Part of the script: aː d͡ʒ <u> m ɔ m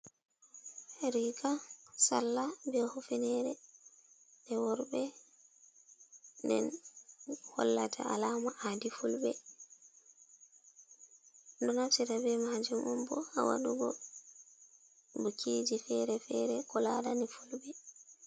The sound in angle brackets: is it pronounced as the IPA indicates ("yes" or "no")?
yes